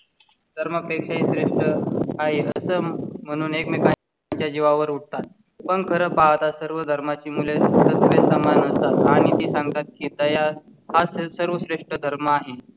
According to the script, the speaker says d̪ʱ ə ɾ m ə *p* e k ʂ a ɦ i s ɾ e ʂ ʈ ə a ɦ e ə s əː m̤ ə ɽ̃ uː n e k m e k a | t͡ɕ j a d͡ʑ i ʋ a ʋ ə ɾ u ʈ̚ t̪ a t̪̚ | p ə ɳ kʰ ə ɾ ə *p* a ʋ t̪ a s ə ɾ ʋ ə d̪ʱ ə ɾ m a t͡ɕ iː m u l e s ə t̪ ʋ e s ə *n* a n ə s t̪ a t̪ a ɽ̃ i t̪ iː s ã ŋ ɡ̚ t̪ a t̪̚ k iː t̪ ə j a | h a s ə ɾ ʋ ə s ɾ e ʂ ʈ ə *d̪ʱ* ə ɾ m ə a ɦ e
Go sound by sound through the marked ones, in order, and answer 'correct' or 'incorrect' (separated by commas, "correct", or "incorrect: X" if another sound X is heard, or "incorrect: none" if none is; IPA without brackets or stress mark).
correct, correct, incorrect: m, correct